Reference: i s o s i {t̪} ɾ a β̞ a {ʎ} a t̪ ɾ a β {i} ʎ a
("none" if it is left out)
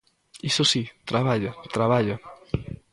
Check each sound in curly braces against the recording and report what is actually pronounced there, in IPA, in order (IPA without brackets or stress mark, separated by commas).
t̪, ʎ, a